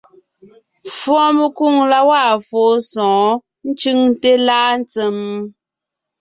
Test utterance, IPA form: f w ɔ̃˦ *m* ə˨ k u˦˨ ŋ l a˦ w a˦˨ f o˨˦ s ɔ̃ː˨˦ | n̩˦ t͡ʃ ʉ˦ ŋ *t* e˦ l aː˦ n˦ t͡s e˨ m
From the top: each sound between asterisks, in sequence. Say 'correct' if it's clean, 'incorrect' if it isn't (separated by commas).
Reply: correct, correct